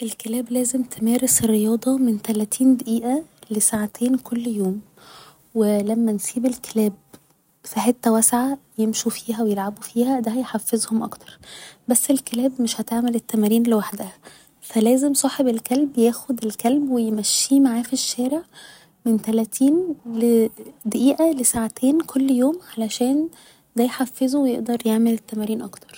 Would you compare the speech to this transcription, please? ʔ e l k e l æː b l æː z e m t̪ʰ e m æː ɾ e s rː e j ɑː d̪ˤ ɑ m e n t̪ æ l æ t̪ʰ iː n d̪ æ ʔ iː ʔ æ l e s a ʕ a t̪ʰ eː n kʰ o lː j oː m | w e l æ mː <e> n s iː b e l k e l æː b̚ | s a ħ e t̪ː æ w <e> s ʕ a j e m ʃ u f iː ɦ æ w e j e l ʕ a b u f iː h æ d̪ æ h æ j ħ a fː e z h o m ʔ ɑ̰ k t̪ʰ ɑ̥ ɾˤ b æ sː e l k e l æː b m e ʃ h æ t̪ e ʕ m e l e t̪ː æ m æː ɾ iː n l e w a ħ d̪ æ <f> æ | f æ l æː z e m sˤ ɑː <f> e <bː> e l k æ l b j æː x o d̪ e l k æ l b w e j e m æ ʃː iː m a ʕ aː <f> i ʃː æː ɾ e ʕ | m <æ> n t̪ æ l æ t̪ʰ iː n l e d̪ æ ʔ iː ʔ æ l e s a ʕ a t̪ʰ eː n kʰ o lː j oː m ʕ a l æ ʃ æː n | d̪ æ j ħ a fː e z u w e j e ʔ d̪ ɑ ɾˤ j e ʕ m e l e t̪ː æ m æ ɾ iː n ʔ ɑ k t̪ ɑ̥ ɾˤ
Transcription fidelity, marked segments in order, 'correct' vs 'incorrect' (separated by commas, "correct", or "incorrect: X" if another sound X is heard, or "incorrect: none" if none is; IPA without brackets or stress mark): incorrect: æ, incorrect: æ, incorrect: h, incorrect: ħ, incorrect: b, correct, incorrect: e